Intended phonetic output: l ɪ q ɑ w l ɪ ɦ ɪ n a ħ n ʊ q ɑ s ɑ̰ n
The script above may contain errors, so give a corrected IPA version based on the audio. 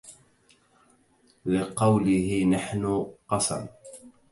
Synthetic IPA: l ɪ q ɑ w l ɪ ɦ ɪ n a ħ n ʊ q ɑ s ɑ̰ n